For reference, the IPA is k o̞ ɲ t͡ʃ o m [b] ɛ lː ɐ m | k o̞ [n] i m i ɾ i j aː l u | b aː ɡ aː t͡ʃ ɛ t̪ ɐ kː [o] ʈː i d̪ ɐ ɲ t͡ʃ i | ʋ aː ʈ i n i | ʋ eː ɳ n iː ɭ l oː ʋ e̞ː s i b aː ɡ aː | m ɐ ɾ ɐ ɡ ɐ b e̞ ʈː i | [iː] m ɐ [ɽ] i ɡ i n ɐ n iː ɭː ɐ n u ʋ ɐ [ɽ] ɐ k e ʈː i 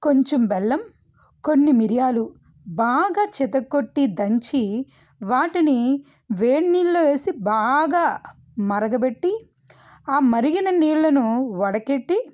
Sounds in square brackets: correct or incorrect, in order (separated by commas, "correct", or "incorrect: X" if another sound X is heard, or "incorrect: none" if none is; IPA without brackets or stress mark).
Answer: correct, incorrect: nː, correct, incorrect: aː, incorrect: ɾ, correct